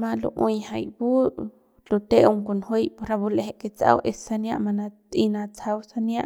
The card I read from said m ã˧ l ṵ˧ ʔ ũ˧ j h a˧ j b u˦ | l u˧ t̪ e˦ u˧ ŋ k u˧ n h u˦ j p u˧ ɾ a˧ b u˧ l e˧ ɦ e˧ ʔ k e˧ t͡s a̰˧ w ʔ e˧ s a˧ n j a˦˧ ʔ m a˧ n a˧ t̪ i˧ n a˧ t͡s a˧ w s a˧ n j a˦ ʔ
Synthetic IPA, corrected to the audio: m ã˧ l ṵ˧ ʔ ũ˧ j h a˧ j b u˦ | l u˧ t̪ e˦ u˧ ŋ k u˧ n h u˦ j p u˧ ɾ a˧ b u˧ l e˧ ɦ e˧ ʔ k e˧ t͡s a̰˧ w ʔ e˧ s a˧ n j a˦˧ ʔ m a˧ n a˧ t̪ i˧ n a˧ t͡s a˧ w s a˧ n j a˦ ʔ